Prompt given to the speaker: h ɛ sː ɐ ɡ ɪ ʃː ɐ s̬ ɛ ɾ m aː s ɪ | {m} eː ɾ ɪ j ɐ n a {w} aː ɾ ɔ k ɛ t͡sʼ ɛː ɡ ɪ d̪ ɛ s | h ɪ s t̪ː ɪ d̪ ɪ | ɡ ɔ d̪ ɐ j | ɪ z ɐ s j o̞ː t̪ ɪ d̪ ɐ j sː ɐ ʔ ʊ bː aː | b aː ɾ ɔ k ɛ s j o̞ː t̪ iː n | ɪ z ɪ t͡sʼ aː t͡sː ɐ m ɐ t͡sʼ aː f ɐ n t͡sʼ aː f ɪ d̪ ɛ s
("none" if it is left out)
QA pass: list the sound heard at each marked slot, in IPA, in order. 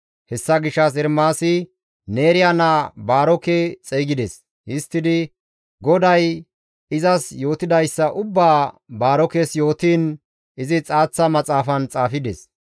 n, b

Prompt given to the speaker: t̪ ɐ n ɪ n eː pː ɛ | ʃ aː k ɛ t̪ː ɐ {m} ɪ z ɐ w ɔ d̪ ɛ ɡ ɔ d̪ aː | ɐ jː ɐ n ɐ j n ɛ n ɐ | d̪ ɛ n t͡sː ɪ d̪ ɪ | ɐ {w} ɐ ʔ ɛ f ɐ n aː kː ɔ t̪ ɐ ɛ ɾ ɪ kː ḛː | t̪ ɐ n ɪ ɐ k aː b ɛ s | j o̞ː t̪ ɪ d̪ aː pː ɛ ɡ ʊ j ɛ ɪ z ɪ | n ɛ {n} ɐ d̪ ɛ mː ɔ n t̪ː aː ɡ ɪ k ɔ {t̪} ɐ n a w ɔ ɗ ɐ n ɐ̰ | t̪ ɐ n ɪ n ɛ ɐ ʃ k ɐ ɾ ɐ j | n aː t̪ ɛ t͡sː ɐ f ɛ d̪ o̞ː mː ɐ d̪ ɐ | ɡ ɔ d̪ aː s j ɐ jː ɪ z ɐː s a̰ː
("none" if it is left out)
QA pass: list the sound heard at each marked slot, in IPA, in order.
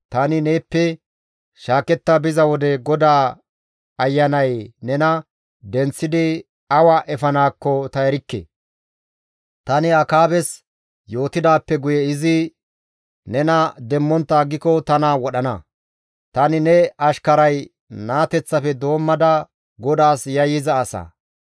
b, w, n, t̪

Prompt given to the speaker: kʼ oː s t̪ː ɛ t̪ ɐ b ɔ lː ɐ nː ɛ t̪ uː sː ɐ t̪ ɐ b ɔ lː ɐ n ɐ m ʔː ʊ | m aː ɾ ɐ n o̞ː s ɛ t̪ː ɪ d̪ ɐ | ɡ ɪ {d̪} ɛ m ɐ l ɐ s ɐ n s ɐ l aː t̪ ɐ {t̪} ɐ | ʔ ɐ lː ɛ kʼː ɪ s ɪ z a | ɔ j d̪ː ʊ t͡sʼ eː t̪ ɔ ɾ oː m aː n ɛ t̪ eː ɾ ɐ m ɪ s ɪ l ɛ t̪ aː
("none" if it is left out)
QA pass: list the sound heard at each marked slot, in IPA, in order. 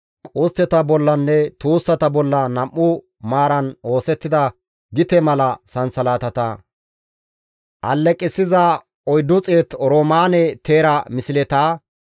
t̪, t̪

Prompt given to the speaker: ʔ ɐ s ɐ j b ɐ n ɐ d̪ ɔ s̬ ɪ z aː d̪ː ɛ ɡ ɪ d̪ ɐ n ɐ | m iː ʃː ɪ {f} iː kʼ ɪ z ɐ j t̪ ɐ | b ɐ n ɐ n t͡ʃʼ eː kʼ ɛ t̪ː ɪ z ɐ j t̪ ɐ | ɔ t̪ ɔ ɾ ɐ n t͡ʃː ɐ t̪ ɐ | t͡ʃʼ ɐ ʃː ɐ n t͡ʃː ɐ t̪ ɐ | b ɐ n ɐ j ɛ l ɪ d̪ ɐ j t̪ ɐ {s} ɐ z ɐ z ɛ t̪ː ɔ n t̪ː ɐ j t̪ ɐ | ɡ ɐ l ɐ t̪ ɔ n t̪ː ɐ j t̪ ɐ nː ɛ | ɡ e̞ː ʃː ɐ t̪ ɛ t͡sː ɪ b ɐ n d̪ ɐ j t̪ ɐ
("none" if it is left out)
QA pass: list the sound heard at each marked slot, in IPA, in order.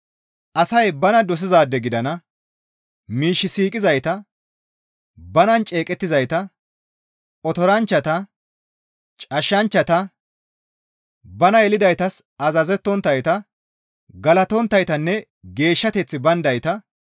s, s

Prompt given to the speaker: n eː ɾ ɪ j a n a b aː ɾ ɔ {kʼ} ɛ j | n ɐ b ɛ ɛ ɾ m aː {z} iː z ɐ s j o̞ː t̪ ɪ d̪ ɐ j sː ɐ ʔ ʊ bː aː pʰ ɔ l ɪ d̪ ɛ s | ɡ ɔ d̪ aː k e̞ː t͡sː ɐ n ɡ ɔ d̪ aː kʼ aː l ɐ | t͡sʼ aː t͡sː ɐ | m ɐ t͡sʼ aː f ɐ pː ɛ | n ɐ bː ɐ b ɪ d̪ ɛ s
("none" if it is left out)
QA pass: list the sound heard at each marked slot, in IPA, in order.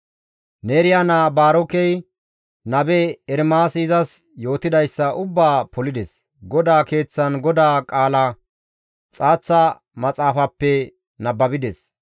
k, s

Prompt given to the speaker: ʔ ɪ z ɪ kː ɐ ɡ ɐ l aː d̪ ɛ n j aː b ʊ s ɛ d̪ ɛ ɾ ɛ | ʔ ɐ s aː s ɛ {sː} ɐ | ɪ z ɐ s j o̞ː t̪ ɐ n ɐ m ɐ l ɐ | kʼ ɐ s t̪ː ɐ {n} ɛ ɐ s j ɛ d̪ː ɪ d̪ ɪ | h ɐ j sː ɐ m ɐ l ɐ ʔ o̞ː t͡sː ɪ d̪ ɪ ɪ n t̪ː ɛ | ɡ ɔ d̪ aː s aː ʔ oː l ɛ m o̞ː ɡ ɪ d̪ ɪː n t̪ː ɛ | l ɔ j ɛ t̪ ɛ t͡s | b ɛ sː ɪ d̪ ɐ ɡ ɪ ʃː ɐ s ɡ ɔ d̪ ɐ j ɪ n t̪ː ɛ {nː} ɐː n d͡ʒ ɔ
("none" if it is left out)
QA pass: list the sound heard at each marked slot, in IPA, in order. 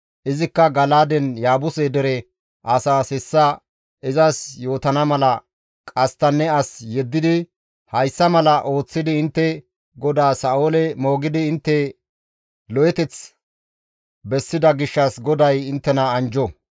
sː, nː, n

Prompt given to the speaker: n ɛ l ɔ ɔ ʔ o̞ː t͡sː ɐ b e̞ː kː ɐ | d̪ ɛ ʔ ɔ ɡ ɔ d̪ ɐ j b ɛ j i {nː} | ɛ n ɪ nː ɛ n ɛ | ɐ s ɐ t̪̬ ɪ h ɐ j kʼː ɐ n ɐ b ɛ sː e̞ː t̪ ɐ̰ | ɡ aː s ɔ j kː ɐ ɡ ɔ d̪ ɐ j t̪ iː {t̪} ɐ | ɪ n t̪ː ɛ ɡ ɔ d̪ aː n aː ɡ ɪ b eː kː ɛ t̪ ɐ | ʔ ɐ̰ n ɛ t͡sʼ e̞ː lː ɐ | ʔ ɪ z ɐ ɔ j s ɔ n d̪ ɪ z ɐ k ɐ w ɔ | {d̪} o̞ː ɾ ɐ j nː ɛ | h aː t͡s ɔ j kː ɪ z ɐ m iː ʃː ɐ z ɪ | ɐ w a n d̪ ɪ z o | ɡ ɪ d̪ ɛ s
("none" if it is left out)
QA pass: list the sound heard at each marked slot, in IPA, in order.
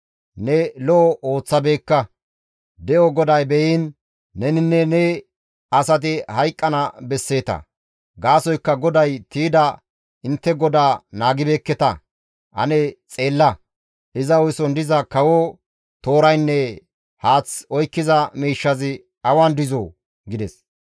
nː, d̪, t̪

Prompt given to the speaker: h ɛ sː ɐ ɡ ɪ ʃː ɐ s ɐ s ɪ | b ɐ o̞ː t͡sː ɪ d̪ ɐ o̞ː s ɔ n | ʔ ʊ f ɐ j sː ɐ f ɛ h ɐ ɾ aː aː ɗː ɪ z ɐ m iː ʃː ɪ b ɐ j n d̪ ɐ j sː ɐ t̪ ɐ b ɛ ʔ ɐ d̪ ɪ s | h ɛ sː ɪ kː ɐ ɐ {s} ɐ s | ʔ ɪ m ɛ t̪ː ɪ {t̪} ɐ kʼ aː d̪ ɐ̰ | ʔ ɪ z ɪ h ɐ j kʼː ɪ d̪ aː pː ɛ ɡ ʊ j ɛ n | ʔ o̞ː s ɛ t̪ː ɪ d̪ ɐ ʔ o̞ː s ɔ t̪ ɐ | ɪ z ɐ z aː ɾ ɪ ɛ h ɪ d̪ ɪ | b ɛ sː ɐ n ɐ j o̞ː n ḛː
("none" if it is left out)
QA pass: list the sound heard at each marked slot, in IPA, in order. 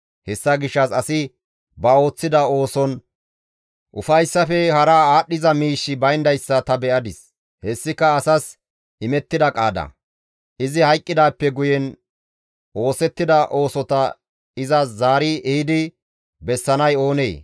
s, d̪

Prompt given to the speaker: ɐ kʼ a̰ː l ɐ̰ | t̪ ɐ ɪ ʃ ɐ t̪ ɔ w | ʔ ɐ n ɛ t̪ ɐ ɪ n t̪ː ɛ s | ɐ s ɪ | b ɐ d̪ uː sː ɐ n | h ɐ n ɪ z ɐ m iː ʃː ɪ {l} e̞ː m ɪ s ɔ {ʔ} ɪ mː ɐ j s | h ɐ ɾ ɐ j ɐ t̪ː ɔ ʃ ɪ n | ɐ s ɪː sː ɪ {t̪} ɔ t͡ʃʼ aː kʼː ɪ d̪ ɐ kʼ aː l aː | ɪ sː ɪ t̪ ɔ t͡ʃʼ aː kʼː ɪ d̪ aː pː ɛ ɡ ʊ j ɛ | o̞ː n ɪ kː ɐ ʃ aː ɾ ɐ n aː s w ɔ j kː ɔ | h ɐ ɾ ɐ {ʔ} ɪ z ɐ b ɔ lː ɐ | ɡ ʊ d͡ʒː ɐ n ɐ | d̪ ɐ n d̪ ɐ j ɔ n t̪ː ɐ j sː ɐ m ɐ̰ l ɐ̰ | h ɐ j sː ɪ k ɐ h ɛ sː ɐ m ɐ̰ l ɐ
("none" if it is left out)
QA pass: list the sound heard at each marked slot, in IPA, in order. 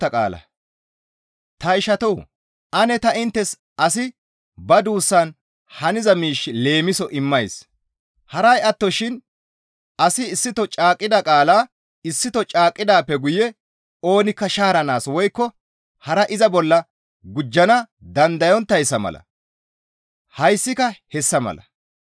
l, ʔ, t̪, ʔ

